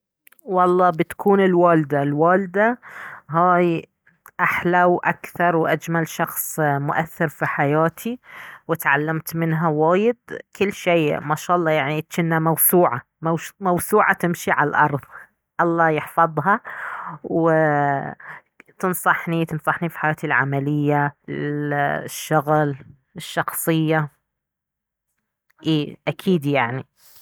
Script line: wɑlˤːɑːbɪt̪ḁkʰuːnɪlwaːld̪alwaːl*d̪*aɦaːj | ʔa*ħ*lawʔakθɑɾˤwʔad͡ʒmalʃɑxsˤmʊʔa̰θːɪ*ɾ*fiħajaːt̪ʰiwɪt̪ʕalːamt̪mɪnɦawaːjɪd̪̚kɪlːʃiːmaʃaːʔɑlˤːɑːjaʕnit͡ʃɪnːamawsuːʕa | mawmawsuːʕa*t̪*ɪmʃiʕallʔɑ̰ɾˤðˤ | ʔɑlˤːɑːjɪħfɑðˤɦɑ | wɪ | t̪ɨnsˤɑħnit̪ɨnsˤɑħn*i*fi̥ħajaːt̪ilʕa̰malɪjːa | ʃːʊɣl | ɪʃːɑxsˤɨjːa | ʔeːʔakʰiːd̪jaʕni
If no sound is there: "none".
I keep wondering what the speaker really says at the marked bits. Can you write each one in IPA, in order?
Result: d̪, ħ, ɾ, t̪, i

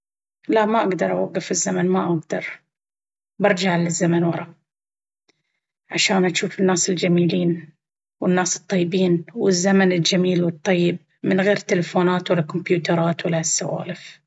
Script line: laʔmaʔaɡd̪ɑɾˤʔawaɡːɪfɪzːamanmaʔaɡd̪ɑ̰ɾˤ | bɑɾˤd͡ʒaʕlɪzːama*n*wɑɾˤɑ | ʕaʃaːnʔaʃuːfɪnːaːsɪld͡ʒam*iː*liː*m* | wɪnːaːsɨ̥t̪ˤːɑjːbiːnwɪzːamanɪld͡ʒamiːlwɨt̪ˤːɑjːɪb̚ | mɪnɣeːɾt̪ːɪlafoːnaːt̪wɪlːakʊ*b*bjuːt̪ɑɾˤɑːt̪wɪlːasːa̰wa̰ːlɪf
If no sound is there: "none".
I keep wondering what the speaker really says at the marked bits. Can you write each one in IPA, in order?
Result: n, iː, n, m

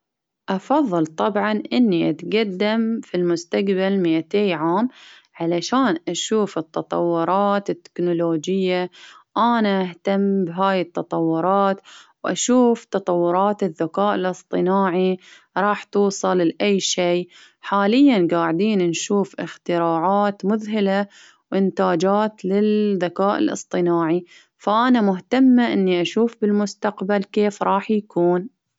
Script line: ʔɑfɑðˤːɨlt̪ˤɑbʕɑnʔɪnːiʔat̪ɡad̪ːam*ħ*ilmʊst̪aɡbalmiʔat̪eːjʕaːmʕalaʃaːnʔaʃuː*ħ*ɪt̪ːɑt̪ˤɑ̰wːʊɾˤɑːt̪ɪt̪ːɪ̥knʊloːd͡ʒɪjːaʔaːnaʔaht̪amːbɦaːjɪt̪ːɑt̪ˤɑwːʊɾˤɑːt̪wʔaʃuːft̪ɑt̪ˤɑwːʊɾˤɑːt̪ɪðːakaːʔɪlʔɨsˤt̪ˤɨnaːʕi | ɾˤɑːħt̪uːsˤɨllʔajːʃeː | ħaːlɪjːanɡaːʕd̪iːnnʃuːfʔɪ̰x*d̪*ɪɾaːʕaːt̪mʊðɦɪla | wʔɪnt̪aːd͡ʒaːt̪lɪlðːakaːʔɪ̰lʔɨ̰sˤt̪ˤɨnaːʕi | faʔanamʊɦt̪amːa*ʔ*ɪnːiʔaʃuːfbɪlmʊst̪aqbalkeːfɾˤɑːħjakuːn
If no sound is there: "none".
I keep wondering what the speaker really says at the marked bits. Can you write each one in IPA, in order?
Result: f, f, t̪, ʔ

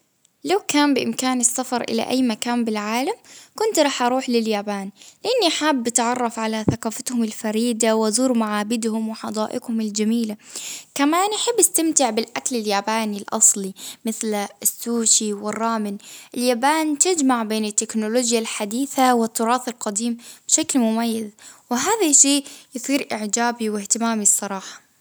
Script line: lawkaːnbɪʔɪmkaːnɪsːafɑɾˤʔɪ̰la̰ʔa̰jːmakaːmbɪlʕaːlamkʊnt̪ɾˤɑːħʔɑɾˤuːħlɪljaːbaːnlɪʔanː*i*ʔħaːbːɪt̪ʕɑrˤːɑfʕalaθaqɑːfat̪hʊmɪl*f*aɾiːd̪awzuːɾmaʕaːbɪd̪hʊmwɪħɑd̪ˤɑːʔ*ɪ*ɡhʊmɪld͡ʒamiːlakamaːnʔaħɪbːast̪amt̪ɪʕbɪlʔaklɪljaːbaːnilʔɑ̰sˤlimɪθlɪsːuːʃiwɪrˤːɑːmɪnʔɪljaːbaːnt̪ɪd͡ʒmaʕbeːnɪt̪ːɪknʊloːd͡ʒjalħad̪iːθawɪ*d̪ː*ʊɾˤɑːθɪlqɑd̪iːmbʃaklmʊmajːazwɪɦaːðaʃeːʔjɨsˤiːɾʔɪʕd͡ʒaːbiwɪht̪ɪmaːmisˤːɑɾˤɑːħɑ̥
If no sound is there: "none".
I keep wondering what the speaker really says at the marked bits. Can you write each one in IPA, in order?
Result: i, f, ɪ, t̪ː

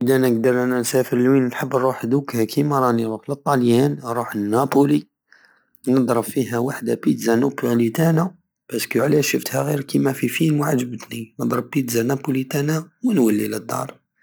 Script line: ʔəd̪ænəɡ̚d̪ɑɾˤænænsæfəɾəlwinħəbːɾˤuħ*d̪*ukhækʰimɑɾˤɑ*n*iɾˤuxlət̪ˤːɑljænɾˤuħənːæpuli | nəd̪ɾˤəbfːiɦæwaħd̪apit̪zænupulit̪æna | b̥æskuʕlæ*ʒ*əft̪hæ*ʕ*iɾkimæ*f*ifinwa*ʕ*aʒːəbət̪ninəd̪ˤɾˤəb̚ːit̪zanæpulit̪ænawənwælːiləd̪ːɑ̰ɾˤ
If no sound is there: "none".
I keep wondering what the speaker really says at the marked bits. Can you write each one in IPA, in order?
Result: d̪, n, ʃ, ɣ, f, ʕ

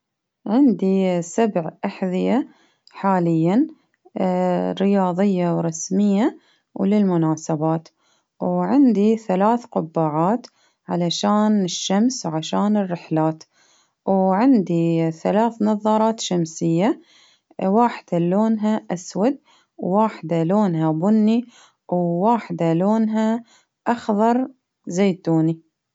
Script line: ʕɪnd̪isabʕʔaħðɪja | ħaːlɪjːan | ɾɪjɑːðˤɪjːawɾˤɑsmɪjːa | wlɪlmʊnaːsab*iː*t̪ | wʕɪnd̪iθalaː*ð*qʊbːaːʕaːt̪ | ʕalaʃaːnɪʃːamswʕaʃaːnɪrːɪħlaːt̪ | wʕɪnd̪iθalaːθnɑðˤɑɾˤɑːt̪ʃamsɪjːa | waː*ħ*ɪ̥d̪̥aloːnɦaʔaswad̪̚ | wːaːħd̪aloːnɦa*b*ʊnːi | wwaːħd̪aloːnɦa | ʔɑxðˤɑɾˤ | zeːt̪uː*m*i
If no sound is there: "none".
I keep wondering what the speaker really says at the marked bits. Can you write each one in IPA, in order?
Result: aː, θ, ħ, b, n

